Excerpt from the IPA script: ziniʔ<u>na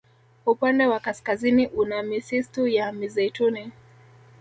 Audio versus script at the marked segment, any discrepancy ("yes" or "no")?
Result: no